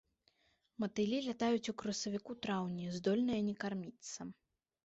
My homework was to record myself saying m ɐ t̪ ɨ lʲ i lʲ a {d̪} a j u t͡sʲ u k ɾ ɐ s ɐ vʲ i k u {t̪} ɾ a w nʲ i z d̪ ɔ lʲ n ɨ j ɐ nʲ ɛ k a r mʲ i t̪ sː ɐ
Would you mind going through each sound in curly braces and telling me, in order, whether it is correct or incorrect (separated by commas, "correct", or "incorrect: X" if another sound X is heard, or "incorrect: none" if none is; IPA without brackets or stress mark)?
incorrect: t̪, correct